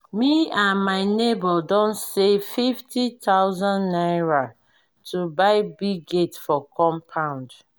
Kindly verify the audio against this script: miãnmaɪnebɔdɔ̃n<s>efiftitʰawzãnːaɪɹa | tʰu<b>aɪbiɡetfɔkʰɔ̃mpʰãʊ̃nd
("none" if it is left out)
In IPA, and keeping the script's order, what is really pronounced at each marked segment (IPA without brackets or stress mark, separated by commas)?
s, b